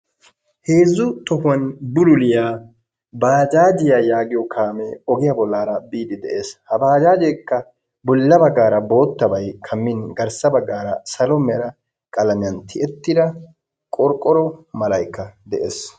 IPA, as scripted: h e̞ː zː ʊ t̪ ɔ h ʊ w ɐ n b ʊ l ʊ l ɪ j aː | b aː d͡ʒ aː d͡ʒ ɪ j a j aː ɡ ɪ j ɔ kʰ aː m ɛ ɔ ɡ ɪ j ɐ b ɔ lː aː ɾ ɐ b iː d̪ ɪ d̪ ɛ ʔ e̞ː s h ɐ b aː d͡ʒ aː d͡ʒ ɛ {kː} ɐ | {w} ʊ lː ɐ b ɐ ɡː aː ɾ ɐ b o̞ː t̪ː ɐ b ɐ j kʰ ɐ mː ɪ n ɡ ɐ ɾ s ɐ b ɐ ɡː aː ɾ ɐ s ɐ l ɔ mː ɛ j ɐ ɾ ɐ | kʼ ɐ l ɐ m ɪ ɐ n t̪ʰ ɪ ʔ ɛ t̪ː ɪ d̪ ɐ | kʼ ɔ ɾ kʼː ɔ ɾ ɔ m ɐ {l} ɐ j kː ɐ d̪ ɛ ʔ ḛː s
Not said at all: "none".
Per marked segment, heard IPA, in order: kː, b, l

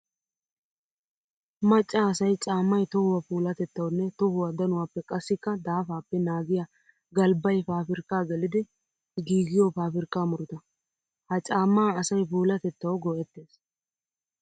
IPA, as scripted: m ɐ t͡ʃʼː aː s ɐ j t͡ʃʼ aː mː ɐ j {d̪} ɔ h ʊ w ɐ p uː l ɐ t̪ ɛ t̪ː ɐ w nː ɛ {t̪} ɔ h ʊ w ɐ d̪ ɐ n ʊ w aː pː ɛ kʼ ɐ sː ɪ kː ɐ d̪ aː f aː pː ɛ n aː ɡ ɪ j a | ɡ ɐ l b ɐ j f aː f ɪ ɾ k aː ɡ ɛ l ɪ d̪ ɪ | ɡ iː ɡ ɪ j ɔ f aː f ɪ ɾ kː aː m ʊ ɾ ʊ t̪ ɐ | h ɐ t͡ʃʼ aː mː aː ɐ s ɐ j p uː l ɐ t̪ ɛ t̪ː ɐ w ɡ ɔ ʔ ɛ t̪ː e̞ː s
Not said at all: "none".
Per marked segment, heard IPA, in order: t̪, t̪

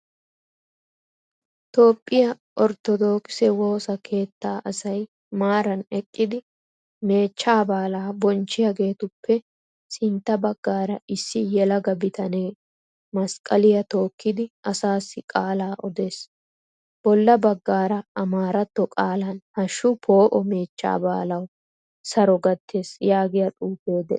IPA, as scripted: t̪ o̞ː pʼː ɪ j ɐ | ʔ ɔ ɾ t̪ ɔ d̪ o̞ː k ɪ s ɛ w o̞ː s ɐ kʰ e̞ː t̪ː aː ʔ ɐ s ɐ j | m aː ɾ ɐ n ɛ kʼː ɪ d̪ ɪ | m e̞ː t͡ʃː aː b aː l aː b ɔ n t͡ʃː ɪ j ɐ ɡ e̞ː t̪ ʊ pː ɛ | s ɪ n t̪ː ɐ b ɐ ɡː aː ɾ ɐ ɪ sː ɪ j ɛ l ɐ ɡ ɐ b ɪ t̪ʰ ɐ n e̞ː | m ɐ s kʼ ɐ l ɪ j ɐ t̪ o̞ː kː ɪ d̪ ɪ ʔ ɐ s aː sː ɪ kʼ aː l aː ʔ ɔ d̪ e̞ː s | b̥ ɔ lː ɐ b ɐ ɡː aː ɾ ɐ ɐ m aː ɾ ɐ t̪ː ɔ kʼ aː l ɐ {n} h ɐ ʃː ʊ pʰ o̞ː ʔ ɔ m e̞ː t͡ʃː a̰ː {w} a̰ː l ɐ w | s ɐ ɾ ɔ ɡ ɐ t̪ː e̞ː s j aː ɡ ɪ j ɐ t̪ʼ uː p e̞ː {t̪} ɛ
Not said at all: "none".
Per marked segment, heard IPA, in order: n, b, d̪

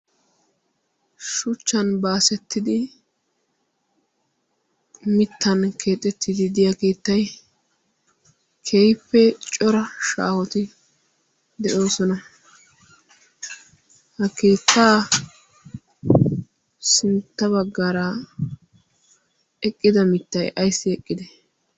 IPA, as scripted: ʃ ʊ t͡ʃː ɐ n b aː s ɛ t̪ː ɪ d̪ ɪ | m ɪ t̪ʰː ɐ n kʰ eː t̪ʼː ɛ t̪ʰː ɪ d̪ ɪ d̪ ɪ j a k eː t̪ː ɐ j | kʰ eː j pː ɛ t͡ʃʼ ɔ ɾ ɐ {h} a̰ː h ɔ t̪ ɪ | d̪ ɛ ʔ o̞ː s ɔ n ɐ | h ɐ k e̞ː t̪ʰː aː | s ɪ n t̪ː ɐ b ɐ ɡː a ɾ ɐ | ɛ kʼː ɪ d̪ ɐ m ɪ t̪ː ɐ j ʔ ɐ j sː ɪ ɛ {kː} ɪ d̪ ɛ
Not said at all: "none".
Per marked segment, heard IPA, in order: ʃ, kʼː

